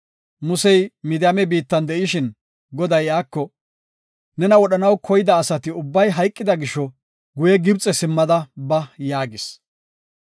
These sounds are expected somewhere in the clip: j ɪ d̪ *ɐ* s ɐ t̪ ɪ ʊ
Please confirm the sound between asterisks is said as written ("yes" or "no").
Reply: no